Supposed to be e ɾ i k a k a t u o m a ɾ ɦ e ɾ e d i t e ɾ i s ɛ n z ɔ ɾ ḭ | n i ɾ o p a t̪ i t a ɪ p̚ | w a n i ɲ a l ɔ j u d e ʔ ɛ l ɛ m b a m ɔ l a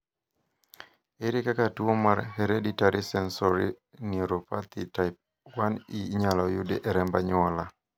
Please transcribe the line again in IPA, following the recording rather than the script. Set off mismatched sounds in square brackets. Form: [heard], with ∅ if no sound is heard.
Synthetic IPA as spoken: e ɾ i k a k a t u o m a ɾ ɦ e ɾ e d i t [a] ɾ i s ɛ n [s] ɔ ɾ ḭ | n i ɾ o p a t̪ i t a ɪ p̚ | w a n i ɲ a l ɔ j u d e ʔ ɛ [ɾ] ɛ m b a [ɲ] ɔ l a